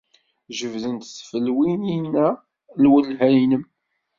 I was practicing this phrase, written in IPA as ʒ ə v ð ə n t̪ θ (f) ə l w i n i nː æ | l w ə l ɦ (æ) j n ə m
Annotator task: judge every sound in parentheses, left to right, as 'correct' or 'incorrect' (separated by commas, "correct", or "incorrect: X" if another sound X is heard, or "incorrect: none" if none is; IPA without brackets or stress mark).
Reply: correct, correct